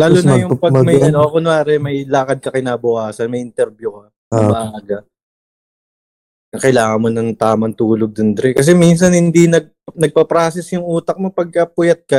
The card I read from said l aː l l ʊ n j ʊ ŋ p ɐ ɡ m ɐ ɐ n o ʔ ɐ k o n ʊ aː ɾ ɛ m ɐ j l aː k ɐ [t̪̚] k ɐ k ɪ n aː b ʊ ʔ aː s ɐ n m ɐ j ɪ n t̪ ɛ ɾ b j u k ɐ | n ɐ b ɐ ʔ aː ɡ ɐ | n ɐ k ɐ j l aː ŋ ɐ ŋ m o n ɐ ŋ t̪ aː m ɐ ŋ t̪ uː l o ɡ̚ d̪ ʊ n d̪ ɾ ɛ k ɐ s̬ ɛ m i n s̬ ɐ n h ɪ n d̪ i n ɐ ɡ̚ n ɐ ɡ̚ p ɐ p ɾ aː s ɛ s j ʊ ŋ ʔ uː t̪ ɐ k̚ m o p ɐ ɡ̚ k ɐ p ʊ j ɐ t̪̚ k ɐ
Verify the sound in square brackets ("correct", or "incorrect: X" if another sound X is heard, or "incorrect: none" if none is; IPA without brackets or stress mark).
incorrect: d̪̚